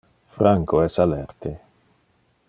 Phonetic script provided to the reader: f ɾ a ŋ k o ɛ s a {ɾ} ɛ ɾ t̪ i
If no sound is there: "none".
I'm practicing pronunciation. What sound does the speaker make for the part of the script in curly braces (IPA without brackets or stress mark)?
l